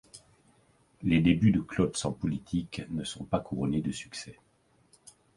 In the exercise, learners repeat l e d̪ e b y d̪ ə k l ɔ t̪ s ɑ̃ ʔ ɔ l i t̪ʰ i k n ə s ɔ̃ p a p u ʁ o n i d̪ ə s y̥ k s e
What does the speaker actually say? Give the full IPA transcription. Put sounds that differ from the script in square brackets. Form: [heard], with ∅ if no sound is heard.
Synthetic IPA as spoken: l e d̪ e b y d̪ ə k l ɔ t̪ s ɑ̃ [p] ɔ l i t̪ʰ i k n ə s ɔ̃ p a [k] u ʁ [ɔ] n [e] d̪ ə s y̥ k s [ɛ]